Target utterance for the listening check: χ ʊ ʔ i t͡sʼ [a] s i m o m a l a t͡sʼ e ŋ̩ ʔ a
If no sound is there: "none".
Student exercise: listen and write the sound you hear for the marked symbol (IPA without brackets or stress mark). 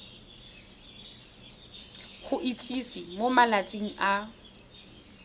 i